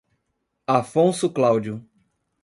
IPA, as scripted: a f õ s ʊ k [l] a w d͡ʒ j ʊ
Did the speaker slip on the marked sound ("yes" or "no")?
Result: no